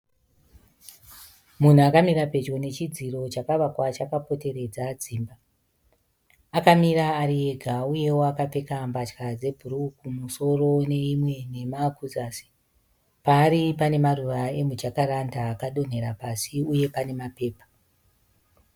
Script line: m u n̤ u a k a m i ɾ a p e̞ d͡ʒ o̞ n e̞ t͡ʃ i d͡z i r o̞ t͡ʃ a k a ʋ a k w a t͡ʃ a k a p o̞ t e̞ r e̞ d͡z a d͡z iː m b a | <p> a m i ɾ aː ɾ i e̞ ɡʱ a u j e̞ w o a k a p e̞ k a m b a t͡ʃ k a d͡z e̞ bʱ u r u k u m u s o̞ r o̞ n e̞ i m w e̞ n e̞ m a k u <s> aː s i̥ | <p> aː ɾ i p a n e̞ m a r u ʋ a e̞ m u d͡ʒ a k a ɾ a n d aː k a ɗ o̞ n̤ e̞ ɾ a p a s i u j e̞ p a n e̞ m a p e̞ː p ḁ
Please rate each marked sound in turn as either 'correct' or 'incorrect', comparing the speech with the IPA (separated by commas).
incorrect, incorrect, correct